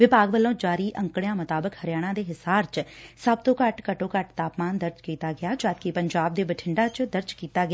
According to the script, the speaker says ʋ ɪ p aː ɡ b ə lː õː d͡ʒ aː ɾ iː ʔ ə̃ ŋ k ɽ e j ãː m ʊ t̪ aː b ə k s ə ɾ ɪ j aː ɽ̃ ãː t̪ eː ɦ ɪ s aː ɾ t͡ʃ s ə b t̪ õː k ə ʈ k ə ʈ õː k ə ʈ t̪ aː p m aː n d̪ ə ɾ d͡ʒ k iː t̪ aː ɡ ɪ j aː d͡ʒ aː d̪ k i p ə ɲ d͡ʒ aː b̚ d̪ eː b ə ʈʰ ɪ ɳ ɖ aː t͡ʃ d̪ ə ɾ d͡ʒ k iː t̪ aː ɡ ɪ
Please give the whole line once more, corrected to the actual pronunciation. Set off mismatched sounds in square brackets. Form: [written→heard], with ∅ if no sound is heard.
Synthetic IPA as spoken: ʋ ɪ p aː ɡ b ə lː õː d͡ʒ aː ɾ iː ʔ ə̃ ŋ k ɽ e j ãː m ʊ t̪ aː b ə k [s→h] ə ɾ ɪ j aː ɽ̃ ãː [t̪→d̪] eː ɦ ɪ s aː ɾ t͡ʃ s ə b t̪ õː k ə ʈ k ə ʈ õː k ə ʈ t̪ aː p m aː n d̪ ə ɾ d͡ʒ k iː t̪ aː ɡ ɪ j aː d͡ʒ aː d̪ k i p ə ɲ d͡ʒ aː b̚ d̪ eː b ə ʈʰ ɪ ɳ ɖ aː t͡ʃ d̪ ə ɾ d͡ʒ k iː t̪ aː ɡ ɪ